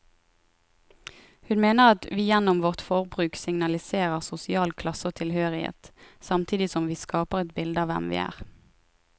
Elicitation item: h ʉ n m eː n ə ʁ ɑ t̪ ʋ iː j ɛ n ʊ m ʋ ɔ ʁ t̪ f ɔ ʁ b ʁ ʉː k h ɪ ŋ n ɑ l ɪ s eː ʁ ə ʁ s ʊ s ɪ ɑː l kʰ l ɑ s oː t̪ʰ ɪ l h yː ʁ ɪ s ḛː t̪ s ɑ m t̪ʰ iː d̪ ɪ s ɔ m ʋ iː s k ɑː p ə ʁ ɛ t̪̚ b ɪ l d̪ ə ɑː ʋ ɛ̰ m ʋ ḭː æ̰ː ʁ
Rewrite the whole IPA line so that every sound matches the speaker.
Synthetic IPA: h ʉ n m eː n ə ʁ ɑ t̪ ʋ iː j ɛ n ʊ m ʋ ɔ ʁ t̪ f ɔ ʁ b ʁ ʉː k s ɪ ŋ n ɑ l ɪ s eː ʁ ə ʁ s ʊ s ɪ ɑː l kʰ l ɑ s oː t̪ʰ ɪ l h øː ʁ ɪ h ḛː t̪ s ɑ m t̪ʰ iː d̪ ɪ s ɔ m ʋ iː s k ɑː p ə ʁ ɛ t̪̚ b ɪ l d̪ ə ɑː ʋ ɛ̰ m ʋ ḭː æ̰ː ʁ